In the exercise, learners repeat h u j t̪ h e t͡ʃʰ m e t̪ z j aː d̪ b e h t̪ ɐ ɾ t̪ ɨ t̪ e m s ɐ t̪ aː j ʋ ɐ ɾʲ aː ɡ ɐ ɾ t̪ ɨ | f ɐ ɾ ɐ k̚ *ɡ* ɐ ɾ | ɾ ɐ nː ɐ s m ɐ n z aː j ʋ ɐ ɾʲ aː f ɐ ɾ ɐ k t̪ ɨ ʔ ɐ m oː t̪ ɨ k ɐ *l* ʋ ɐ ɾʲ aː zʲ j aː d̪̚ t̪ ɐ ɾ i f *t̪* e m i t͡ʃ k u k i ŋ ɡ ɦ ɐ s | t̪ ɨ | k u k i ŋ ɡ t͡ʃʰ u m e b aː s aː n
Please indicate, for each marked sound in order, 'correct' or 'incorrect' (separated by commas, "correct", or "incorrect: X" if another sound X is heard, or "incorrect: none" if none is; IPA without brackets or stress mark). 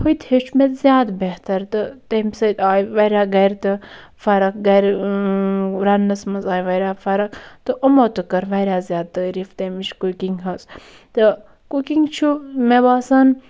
correct, incorrect: ɾ, correct